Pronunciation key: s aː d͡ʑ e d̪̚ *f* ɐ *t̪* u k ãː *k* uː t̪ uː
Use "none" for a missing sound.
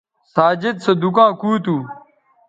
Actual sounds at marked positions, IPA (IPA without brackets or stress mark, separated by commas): s, d̪, k